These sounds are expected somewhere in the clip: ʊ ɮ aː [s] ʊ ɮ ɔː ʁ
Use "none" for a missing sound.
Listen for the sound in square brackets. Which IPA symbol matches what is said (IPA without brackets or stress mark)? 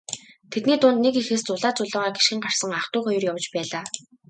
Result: t͡s